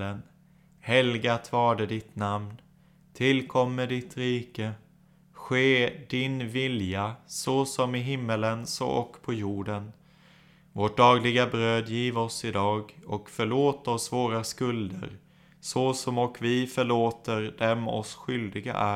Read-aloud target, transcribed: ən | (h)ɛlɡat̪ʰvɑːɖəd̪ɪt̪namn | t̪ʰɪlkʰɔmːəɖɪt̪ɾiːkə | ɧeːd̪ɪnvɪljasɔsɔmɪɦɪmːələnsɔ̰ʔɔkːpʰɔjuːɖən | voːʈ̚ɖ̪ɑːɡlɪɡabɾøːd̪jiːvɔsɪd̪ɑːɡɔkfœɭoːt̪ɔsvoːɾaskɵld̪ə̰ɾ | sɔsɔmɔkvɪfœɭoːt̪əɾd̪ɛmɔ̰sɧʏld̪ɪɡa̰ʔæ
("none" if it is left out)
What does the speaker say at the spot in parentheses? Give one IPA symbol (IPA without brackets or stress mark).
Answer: h